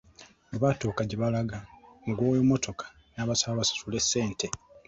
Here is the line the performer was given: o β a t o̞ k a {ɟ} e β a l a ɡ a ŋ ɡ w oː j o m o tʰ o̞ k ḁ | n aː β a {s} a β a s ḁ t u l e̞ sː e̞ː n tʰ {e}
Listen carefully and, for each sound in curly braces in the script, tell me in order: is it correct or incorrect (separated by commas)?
correct, correct, correct